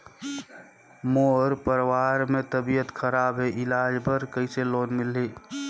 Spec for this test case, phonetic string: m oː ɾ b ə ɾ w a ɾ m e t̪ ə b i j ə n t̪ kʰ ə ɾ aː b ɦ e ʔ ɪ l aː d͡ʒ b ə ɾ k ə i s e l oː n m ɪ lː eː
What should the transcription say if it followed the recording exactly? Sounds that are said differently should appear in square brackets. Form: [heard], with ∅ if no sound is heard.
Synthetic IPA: m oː ɾ [p] ə ɾ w a ɾ m e t̪ ə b i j ə [∅] t̪ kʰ ə ɾ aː b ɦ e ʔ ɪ l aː d͡ʒ b ə ɾ k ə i s e l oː n m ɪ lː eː